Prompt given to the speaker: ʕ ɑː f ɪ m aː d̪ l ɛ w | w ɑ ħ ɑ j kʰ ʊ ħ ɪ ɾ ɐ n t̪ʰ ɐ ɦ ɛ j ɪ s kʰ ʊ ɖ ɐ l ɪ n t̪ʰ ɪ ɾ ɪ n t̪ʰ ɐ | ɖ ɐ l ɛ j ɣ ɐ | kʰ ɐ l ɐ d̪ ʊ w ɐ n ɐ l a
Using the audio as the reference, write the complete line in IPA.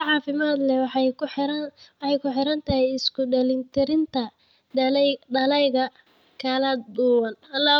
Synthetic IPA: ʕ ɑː f ɪ m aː d̪ l ɛ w | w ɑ ħ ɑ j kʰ ʊ ħ ɪ ɾ ɐ n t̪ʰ ɐ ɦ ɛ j ɪ s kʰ ʊ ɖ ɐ l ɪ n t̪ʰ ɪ ɾ ɪ n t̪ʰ ɐ | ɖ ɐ l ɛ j ɣ ɐ | kʰ ɐ l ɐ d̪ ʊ w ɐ n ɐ l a

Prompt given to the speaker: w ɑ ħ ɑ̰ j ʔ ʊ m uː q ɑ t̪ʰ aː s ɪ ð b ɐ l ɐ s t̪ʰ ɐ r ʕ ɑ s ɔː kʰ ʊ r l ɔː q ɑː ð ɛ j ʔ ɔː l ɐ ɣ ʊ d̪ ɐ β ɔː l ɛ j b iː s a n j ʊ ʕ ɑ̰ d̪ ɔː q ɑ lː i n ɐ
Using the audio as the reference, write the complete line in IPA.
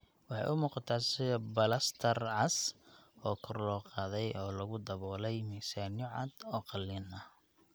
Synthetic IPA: w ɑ ħ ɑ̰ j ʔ ʊ m uː q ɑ t̪ʰ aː s ɪ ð b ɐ l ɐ s t̪ʰ ɐ r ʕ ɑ s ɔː kʰ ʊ r l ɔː q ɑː ð ɛ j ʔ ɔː l ɐ ɣ ʊ d̪ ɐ β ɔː l ɛ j m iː s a n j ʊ ʕ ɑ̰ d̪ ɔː q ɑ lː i n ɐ

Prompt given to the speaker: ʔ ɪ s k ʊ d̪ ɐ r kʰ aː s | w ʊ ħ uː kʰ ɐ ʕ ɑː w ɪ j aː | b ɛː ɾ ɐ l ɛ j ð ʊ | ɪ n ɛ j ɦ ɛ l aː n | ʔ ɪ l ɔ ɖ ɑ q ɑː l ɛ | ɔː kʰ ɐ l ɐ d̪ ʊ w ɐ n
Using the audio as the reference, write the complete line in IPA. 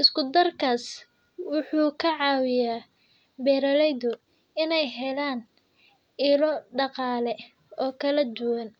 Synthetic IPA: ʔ ɪ s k ʊ d̪ ɐ r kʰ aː s | w ʊ ħ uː kʰ ɐ ʕ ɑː w ɪ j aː | b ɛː ɾ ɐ l ɛ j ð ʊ | ɪ n ɛ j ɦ ɛ l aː n | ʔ ɪ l ɔ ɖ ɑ q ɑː l ɛ | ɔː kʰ ɐ l ɐ d̪ ʊ w ɐ n

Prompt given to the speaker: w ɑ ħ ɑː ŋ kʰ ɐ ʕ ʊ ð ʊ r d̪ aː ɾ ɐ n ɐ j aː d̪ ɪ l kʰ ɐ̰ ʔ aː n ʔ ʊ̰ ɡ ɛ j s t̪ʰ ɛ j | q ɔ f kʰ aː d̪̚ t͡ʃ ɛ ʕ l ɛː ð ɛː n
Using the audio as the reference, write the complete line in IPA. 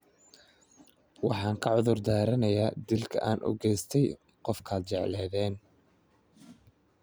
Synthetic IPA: w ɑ ħ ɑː ŋ kʰ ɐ ʕ ʊ ð ʊ r d̪ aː ɾ ɐ n ɐ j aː d̪ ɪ l kʰ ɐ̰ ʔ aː n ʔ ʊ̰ ɡ ɛ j s t̪ʰ ɛ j | q ɔ f kʰ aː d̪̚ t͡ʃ ɛ ʕ l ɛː ð ɛː n

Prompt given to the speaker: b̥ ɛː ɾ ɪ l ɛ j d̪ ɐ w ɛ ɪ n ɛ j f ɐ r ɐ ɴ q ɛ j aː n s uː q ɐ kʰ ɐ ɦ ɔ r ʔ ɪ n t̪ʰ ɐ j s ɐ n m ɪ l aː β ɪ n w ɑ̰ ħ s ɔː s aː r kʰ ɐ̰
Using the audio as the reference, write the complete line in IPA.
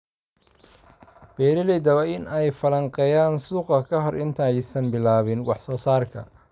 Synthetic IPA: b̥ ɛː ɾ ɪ l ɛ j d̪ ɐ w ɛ ɪ n ɛ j f ɐ l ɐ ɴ q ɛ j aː n s uː q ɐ kʰ ɐ ɦ ɔ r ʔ ɪ n t̪ʰ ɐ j s ɐ n b ɪ l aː β ɪ n w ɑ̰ ħ s ɔː s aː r kʰ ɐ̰

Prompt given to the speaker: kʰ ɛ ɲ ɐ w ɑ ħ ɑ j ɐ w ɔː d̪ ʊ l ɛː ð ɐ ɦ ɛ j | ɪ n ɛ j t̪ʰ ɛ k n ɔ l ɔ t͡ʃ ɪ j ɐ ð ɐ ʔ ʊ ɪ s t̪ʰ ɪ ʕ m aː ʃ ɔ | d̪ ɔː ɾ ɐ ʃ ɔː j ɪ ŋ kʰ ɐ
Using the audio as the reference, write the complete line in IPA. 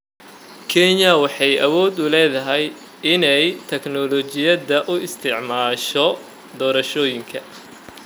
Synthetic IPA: kʰ ɛ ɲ ɐ w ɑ ħ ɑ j ɐ w ɔː d̪ ʊ l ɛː ð ɐ ɦ ɛ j | ɪ n ɛ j t̪ʰ ɛ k n ɔ l ɔ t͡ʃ ɪ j ɐ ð ɐ ʔ ʊ ɪ s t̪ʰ ɪ ʕ m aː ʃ ɔ | d̪ ɔː ɾ ɐ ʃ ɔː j ɪ ŋ kʰ ɐ

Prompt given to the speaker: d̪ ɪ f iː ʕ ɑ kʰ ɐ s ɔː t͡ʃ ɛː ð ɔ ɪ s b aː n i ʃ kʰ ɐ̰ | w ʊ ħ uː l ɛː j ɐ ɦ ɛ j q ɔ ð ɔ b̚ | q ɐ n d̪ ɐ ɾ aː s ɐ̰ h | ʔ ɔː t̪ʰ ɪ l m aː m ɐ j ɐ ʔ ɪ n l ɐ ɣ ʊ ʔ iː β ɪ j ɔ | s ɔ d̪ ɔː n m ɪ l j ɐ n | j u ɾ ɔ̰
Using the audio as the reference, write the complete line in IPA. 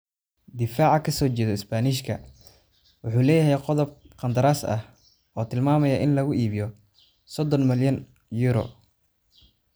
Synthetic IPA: d̪ ɪ f aː ʕ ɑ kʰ ɐ s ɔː t͡ʃ ɛː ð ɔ ɪ s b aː n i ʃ kʰ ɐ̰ | w ʊ ħ uː l ɛː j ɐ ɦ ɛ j q ɔ ð ɔ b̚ | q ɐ n d̪ ɐ ɾ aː s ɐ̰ h | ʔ ɔː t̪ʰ ɪ l m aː m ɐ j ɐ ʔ ɪ n l ɐ ɣ ʊ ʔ iː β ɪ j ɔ | s ɔ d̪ ɔ n m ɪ l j ɐ n | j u ɾ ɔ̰

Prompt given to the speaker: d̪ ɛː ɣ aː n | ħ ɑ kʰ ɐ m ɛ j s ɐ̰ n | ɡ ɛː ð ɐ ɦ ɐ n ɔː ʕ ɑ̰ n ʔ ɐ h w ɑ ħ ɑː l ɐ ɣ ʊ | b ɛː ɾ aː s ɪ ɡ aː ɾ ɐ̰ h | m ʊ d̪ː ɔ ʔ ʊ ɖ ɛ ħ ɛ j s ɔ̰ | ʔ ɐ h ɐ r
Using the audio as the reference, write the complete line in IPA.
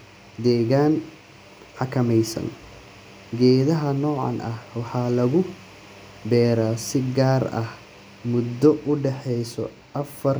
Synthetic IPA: d̪ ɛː ɣ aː n | ħ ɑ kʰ ɐ m ɛ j s ɐ̰ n | ɡ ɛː ð ɐ ɦ ɐ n ɔː ʕ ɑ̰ n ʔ ɐ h w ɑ ħ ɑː l ɐ ɣ ʊ | b ɛː ɾ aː s ɪ ɡ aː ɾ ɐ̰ h | m ʊ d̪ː ɔ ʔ ʊ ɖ ɛ ħ ɛ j s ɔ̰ | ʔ ɐ f ɐ r

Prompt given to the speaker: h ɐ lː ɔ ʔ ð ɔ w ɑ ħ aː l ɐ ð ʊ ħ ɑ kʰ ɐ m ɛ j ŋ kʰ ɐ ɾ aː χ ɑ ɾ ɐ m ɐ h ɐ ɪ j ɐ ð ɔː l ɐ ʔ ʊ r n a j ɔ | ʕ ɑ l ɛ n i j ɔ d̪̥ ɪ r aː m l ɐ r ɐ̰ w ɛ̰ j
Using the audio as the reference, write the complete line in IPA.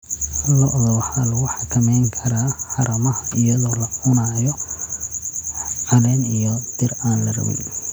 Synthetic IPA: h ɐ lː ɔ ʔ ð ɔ w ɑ ħ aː l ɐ ɣ ʊ ħ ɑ kʰ ɐ m ɛ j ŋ kʰ ɐ ɾ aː ħ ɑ ɾ ɐ m ɐ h ɐ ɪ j ɐ ð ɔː l ɐ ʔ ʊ n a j ɔ | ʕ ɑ l ɛ n i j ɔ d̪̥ ɪ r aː n l ɐ r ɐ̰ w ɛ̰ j

